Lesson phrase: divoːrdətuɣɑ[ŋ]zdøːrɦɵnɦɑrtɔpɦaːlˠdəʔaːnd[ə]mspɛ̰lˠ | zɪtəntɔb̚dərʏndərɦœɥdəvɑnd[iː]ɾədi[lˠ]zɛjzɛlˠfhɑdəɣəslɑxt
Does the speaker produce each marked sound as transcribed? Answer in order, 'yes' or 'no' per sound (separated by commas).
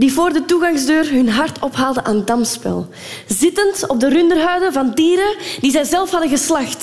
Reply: yes, no, yes, no